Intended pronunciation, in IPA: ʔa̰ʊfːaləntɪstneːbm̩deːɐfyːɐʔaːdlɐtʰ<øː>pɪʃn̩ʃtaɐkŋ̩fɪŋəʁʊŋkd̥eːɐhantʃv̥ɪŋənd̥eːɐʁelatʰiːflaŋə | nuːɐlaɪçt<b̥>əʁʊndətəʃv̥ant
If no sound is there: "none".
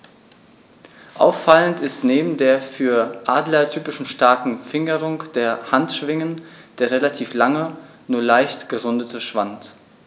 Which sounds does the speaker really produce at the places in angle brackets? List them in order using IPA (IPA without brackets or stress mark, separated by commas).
yː, ɡ̥